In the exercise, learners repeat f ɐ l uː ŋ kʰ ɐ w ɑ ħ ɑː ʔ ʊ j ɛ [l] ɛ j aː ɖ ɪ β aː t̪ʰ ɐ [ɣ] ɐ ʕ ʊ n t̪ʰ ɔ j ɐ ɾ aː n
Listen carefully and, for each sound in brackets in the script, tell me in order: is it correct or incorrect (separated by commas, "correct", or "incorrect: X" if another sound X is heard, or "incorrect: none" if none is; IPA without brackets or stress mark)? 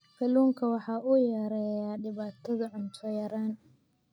incorrect: ɾ, incorrect: ð